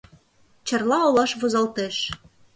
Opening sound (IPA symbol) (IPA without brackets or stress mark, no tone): t͡ɕ